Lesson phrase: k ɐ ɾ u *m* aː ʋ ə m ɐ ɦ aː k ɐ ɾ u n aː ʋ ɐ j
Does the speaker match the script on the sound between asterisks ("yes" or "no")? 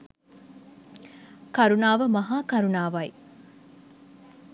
no